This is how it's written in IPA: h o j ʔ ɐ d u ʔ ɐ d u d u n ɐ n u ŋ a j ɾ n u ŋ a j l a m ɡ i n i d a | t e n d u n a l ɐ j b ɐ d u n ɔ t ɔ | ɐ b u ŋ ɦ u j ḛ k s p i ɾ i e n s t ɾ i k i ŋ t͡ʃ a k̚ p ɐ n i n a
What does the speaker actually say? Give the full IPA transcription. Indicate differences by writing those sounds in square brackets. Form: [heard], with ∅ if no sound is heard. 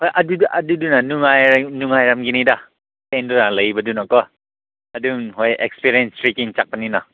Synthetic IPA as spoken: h o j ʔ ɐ d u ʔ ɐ d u d u n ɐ n u ŋ a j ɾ n u ŋ a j [ɾ] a m ɡ i n i d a | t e n d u n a l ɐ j b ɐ d u n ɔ [k] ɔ | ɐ [d] u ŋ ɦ [o] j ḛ k s p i ɾ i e n s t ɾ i k i ŋ t͡ʃ a k̚ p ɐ n i n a